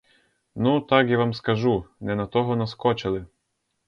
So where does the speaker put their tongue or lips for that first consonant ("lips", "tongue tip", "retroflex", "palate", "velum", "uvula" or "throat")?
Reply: tongue tip